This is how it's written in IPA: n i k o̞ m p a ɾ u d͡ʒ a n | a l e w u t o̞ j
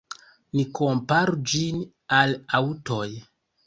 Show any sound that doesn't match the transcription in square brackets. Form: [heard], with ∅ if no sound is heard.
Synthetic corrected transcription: n i k o̞ m p a ɾ u d͡ʒ [i] n | a l [a] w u t o̞ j